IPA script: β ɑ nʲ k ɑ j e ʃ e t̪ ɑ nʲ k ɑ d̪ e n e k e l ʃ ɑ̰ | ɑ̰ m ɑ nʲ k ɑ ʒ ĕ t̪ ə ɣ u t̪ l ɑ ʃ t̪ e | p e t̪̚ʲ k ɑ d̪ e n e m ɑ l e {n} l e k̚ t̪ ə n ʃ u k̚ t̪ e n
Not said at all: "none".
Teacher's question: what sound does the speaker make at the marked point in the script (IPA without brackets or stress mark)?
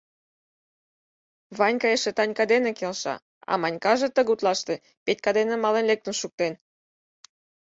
n